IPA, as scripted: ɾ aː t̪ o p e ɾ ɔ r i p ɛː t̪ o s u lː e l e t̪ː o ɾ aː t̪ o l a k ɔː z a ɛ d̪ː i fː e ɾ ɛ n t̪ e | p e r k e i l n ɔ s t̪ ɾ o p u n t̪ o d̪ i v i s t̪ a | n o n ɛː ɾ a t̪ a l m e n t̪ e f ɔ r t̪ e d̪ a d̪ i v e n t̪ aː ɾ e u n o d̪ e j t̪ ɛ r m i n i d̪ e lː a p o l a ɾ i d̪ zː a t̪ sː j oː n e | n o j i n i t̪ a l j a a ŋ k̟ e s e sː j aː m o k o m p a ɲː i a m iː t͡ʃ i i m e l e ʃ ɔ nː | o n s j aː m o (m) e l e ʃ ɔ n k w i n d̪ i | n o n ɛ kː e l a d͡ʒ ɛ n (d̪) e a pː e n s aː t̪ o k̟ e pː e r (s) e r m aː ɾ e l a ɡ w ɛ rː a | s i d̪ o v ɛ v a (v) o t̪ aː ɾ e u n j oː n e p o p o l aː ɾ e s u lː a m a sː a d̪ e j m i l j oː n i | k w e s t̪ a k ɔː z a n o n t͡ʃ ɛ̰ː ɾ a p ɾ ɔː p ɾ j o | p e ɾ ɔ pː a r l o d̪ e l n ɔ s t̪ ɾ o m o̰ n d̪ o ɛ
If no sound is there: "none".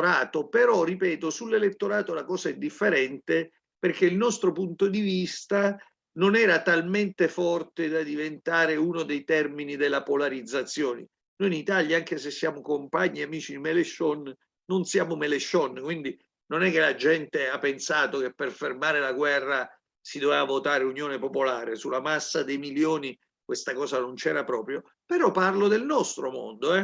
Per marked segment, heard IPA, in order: m, t̪, f, v

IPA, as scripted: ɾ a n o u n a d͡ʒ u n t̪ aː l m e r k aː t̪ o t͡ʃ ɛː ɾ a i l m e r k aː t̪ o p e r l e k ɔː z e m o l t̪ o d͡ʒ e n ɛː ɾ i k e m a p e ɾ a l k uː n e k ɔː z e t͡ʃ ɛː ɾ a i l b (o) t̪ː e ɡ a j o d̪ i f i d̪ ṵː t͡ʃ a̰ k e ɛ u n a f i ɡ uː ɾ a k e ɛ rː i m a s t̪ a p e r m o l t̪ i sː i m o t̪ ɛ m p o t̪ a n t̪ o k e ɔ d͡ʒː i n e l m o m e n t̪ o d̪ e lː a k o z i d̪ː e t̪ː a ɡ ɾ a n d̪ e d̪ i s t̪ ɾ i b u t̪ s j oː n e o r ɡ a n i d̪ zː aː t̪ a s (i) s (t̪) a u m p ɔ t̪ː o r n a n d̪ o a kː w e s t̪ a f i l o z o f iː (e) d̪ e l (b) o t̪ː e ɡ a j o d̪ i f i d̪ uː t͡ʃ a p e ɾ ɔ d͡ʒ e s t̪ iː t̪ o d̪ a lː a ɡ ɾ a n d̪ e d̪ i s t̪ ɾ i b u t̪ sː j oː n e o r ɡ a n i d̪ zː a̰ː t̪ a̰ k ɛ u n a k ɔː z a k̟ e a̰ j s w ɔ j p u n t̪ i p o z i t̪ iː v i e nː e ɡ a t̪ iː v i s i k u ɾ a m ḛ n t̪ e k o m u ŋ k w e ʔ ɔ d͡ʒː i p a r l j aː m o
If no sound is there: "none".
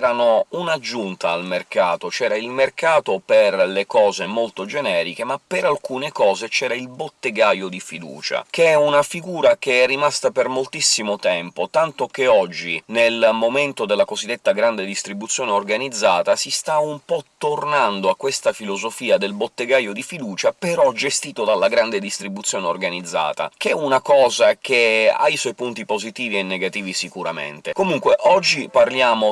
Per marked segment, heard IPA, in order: o, i, t̪, a, b

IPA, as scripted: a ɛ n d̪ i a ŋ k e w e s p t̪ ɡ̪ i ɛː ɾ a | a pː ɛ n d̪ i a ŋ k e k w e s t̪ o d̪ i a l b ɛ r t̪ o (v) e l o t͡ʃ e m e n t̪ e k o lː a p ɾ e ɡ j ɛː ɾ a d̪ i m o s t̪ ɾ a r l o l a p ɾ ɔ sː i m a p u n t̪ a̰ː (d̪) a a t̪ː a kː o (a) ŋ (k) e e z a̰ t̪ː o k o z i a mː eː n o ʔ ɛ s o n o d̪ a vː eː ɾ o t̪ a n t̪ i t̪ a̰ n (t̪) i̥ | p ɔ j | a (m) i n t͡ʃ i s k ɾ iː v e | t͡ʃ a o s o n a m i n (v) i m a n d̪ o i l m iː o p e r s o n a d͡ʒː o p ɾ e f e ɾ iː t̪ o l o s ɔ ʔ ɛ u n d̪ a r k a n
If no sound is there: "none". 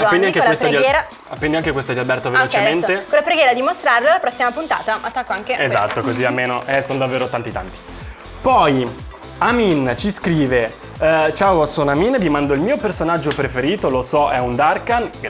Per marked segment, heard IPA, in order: v, t̪, a, k, t̪, m, v

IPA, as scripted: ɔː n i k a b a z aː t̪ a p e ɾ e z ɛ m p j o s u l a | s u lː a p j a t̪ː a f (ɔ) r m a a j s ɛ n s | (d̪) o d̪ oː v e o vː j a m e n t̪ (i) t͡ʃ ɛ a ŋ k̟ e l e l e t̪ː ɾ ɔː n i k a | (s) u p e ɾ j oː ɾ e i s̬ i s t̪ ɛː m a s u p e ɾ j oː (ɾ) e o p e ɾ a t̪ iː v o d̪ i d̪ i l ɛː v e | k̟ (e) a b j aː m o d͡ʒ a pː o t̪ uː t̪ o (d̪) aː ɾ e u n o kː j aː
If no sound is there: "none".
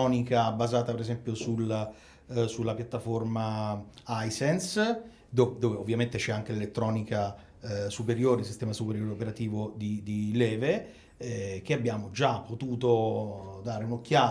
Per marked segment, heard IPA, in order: o, d̪, e, s, ɾ, e, d̪

